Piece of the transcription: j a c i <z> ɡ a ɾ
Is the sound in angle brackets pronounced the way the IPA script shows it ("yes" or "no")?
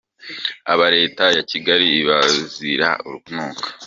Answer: no